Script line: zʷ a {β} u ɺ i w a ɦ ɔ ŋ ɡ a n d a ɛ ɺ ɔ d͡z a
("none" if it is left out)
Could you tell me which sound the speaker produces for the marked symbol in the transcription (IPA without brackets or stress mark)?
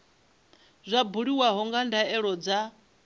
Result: b